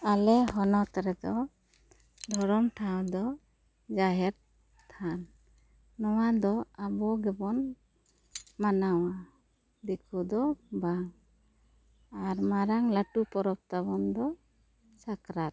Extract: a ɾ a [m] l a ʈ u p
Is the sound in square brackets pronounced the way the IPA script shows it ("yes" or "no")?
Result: no